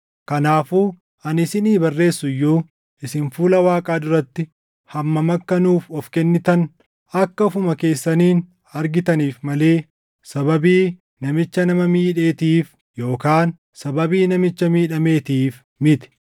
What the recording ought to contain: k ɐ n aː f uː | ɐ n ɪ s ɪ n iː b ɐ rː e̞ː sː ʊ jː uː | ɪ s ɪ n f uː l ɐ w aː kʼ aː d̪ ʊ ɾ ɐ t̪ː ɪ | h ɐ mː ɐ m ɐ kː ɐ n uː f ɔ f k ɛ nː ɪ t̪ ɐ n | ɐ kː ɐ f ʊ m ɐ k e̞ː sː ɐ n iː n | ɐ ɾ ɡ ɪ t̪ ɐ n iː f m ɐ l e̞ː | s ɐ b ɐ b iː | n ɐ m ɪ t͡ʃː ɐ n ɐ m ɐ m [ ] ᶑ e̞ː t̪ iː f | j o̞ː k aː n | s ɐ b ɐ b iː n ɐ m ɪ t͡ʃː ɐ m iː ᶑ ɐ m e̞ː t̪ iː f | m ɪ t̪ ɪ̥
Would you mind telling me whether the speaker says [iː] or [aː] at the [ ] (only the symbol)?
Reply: iː